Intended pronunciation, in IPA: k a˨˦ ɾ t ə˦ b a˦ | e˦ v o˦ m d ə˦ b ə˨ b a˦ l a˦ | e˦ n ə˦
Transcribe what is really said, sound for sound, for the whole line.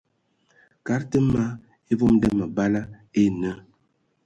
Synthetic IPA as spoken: k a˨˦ ɾ t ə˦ m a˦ | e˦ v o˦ m d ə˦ m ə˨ b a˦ l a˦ | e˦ n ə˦